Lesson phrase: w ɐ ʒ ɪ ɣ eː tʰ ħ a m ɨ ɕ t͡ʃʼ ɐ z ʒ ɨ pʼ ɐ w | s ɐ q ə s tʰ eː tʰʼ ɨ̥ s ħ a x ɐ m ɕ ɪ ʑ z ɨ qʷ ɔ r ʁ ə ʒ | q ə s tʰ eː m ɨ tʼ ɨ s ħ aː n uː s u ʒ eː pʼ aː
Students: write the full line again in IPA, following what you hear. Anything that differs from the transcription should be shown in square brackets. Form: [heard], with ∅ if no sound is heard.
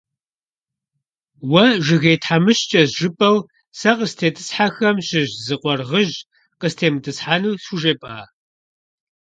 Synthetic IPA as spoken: w ɐ ʒ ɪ ɣ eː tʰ ħ a m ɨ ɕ t͡ʃʼ ɐ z ʒ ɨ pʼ ɐ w | s ɐ q ə s tʰ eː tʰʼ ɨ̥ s ħ a x ɐ m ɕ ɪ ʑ z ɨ qʷ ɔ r ʁ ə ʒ | q ə s tʰ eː m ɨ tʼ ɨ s ħ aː n uː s u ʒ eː pʼ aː